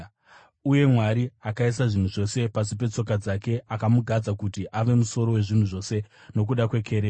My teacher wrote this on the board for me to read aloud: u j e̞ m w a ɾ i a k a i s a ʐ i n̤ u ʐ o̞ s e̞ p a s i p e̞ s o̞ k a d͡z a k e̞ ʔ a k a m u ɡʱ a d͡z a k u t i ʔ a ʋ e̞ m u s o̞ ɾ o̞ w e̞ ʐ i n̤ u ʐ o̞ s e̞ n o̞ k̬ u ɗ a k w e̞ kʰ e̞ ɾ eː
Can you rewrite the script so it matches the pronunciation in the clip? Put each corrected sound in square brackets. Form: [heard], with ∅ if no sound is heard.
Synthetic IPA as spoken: u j e̞ m w a ɾ i a k a i s a ʐ i n̤ u ʐ o̞ s e̞ p a s i p e̞ [t͡s] o̞ k a d͡z a k e̞ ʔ a k a m u ɡʱ a d͡z a k u t i ʔ a ʋ e̞ m u s o̞ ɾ o̞ w e̞ ʐ i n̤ u ʐ o̞ s e̞ n o̞ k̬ u ɗ a k w e̞ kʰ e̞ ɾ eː